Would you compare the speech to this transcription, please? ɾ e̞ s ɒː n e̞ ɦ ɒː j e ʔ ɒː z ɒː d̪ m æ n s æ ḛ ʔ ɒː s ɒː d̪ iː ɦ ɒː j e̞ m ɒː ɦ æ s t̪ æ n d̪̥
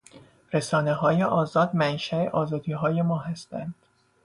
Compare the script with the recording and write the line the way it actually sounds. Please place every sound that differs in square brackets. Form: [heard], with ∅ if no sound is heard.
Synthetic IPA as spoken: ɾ e̞ s ɒː n e̞ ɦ ɒː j e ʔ ɒː z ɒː d̪ m æ n [ʃ] æ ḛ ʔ ɒː [z] ɒː d̪ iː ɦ ɒː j e̞ m ɒː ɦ æ s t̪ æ n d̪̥

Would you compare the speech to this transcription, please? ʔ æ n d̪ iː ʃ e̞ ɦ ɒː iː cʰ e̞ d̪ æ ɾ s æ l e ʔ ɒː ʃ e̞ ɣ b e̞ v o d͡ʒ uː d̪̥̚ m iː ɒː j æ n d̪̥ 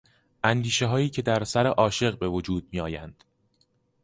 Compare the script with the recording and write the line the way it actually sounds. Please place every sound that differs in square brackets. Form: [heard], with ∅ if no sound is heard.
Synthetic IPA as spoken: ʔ æ n d̪ iː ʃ e̞ ɦ ɒː iː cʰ e̞ d̪ æ ɾ s æ [ɾ] e ʔ ɒː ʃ e̞ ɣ b e̞ v o d͡ʒ uː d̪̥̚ m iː ɒː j æ n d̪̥

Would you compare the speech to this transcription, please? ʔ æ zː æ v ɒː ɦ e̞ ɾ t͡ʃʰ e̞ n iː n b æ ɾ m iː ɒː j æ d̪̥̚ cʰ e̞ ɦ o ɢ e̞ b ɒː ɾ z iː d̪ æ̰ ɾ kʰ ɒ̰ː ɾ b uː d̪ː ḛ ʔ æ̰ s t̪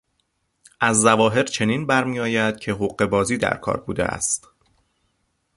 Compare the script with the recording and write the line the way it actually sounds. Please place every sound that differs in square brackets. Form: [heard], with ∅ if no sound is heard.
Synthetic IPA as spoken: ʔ æ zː æ v ɒː ɦ e̞ ɾ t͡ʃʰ e̞ n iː n b æ ɾ m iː ɒː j æ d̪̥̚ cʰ e̞ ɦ o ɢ e̞ b ɒː [∅] z iː d̪ æ̰ ɾ kʰ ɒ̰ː ɾ b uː [d̪] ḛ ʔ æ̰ s t̪

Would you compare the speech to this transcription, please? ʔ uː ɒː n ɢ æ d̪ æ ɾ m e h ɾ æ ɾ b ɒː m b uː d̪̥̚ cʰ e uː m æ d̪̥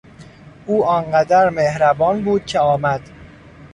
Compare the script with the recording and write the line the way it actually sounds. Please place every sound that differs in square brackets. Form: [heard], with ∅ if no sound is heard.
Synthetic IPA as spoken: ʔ uː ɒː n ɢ æ d̪ æ ɾ m e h ɾ æ [∅] b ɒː [n] b uː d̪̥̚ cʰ e [ɒː] m æ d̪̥

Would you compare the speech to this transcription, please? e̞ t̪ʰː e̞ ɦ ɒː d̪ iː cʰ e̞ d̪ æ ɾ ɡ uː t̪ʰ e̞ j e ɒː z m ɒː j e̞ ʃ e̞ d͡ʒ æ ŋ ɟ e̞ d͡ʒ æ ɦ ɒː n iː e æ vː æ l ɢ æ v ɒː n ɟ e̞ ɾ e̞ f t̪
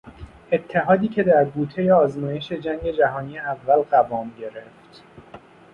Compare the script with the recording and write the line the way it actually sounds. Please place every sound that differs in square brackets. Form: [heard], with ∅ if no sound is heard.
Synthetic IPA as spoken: e̞ t̪ʰː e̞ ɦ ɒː d̪ iː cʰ e̞ d̪ æ ɾ ɡ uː t̪ʰ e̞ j e ɒː z m ɒː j e̞ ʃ e̞ d͡ʒ æ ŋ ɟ e̞ d͡ʒ æ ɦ ɒː n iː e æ vː æ l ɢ æ v ɒː [m] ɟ e̞ ɾ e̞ f t̪

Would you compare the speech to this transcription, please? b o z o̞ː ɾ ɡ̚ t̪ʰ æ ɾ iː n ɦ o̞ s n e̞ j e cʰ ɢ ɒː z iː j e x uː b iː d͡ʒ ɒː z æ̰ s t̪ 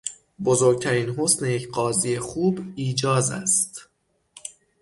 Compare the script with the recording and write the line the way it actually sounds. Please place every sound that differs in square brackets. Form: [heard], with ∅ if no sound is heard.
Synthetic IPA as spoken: b o z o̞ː ɾ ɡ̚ t̪ʰ æ ɾ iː n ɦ o̞ s n e̞ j e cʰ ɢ ɒː z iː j e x uː b iː d͡ʒ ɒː z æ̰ s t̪

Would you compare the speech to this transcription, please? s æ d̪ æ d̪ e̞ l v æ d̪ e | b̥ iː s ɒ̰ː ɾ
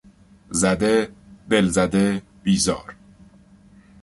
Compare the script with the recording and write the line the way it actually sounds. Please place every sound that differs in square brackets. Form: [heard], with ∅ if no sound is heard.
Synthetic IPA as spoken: [z] æ d̪ [e] d̪ e̞ l [z] æ d̪ e | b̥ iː [z] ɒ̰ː ɾ

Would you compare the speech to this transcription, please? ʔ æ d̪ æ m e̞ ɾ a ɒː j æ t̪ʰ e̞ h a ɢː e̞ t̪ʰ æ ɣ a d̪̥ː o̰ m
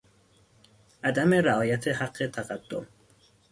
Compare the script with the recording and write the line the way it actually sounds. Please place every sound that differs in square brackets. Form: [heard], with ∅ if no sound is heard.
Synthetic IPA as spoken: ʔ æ d̪ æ m e̞ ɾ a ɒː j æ t̪ʰ e̞ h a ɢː e̞ t̪ʰ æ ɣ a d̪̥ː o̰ m

